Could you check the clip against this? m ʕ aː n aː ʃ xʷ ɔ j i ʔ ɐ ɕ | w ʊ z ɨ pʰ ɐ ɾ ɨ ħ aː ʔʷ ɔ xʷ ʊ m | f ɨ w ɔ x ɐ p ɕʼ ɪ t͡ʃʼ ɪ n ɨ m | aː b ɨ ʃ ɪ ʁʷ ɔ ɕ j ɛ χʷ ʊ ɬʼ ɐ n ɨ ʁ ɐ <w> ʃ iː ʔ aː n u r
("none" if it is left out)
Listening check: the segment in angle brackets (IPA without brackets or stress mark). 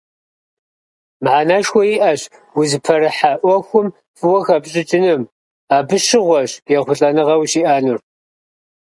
w